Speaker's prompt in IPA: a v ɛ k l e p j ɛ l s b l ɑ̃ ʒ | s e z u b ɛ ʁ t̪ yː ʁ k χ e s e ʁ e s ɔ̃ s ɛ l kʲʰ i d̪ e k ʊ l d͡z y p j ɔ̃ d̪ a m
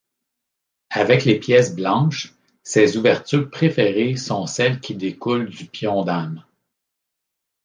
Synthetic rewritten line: a v ɛ k l e p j ɛ s b l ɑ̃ ʃ | s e z u v ɛ ʁ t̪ yː ʁ p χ e f e ʁ e s ɔ̃ s ɛ l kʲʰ i d̪ e k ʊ l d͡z y p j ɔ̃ d̪ a m